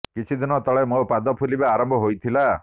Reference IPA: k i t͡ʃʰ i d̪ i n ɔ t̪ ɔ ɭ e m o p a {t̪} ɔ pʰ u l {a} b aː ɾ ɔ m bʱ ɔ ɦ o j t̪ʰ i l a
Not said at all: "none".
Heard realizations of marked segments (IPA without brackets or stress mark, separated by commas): d̪, i